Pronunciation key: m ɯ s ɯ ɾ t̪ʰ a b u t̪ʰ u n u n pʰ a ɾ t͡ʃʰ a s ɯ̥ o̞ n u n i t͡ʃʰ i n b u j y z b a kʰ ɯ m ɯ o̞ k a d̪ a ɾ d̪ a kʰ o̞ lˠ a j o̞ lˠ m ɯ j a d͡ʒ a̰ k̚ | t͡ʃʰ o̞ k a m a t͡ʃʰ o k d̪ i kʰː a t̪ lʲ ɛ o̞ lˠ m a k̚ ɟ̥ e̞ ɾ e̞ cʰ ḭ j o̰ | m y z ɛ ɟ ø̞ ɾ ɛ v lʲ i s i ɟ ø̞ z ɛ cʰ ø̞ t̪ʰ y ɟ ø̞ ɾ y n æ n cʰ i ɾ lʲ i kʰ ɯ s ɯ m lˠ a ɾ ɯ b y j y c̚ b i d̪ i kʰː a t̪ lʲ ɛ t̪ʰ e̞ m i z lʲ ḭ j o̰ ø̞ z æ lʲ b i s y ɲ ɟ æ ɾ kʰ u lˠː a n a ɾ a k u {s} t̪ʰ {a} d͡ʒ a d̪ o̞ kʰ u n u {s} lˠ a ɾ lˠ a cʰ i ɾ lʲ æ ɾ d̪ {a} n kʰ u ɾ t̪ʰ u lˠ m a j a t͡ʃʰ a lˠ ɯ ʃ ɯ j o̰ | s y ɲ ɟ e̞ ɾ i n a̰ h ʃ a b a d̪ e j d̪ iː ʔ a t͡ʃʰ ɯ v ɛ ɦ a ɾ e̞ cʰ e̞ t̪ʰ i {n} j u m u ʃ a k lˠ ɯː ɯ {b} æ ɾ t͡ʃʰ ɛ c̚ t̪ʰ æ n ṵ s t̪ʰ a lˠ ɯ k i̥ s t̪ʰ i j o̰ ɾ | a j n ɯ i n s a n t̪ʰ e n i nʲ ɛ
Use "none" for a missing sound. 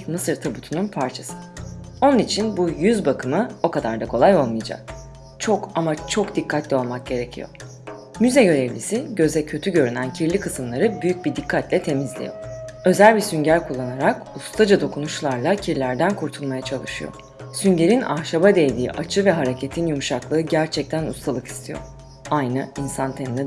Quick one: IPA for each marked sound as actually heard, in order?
s, a, ʃ, æ, n, ɟ

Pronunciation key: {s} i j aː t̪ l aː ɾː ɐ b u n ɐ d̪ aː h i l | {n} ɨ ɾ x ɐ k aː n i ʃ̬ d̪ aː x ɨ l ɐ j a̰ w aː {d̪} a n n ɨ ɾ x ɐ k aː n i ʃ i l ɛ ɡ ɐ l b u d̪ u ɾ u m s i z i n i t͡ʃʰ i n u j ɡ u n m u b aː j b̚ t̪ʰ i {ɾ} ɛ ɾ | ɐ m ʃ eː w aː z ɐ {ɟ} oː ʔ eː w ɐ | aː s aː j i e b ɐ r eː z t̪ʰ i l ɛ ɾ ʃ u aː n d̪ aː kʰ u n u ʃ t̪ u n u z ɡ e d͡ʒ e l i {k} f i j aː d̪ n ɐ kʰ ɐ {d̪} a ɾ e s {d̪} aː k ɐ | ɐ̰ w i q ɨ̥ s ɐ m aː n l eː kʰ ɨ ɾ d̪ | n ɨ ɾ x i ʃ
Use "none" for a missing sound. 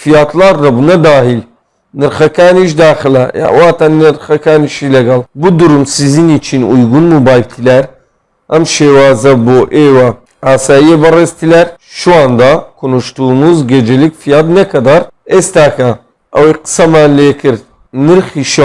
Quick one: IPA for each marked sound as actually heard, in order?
f, n, t̪, l, b, k, d̪, t̪

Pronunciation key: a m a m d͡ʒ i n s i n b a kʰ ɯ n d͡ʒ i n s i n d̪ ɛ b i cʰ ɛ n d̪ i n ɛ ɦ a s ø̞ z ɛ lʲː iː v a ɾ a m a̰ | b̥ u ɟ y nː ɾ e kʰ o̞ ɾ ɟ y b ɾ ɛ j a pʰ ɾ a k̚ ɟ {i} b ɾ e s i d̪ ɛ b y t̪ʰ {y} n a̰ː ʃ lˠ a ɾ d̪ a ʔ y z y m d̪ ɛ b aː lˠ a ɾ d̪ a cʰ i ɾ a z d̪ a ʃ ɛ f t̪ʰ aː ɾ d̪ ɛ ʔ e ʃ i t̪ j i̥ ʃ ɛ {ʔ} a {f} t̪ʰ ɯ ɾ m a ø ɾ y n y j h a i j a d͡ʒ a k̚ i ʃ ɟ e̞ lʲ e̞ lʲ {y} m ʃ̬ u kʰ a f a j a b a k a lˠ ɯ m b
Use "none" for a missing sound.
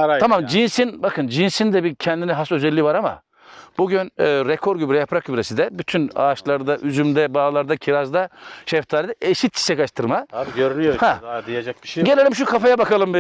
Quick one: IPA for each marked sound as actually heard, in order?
y, y, k, ʃ, i

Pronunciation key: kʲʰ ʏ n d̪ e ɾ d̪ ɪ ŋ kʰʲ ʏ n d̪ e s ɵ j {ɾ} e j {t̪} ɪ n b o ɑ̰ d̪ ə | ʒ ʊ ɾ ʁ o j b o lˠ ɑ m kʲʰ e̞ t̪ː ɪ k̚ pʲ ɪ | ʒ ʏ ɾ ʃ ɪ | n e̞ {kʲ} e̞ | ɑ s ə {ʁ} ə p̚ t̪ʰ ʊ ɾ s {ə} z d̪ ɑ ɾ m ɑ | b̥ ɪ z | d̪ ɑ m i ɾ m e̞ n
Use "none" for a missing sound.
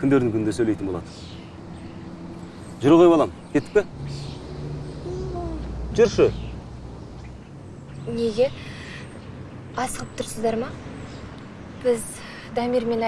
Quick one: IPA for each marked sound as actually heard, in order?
l, t̪, ɡʲ, ʁ, ə

